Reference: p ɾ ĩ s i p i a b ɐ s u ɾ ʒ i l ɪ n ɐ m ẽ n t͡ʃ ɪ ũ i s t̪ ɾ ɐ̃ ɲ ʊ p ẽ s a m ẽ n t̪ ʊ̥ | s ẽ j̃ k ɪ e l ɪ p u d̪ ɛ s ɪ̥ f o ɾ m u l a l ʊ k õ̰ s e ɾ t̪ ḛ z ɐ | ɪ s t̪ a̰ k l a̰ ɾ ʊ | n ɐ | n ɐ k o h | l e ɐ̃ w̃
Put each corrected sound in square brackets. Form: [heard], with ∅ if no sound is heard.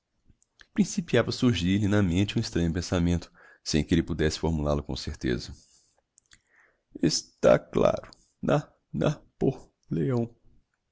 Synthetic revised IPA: p ɾ ĩ s i p i a [v] ɐ s u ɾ ʒ i l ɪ n ɐ m ẽ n t͡ʃ ɪ ũ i s t̪ ɾ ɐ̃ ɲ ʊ p ẽ s a m ẽ n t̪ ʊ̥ | s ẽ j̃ k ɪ e l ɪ p u d̪ ɛ s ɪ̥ f o ɾ m u l a l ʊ k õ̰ s e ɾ t̪ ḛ z ɐ | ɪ s t̪ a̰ k l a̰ ɾ ʊ | n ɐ | n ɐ [p] o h | l e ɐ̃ w̃